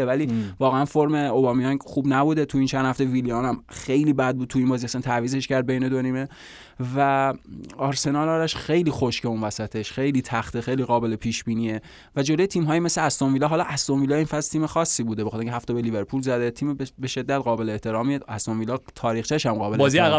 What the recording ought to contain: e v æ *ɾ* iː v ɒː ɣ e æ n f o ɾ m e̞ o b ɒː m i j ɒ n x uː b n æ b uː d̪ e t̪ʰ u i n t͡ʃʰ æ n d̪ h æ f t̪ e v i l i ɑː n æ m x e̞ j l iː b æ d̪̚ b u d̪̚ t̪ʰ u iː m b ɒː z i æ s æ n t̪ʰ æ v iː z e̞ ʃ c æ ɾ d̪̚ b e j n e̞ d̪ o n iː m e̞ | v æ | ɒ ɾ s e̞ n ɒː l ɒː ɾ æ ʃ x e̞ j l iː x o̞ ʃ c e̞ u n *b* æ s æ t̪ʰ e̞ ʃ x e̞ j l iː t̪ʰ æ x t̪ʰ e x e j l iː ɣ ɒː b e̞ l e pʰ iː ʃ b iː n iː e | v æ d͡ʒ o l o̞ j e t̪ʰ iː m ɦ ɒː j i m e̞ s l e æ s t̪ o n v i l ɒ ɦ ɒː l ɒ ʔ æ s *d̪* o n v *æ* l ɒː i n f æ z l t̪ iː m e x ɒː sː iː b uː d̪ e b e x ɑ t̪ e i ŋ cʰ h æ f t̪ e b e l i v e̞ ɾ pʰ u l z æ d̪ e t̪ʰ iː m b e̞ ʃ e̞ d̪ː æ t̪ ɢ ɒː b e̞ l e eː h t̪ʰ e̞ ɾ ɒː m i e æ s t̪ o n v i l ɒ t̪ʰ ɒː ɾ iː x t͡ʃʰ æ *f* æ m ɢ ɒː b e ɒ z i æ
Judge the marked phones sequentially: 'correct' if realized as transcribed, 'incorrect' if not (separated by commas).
incorrect, incorrect, incorrect, incorrect, incorrect